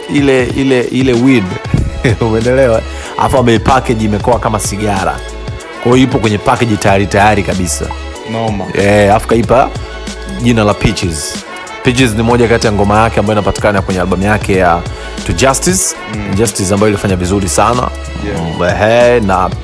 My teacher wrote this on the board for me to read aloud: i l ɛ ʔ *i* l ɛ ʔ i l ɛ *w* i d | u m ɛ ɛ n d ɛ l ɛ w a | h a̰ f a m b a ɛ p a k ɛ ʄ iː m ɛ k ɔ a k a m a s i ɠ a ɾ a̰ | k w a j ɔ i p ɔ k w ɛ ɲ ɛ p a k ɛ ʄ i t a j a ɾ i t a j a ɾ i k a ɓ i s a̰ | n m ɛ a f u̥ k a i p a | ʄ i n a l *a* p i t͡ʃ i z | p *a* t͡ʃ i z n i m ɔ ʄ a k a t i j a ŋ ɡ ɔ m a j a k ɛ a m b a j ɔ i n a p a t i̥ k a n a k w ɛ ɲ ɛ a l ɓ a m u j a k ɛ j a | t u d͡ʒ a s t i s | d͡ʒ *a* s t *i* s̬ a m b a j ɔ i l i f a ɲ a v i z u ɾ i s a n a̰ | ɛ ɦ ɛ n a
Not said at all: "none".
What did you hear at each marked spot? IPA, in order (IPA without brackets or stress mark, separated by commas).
i, w, a, i, a, i